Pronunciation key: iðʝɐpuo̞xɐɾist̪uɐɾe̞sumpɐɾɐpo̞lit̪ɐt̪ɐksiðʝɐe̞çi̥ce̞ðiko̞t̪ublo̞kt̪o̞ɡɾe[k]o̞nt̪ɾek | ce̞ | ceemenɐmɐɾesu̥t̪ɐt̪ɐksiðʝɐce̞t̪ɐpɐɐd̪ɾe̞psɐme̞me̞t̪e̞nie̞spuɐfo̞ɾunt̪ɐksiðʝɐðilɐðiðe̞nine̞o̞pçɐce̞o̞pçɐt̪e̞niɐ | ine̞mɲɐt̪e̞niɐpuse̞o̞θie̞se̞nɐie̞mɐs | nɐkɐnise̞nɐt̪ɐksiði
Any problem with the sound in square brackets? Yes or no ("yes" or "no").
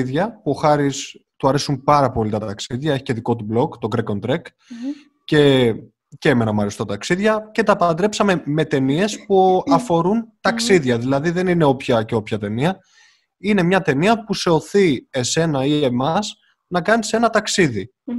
no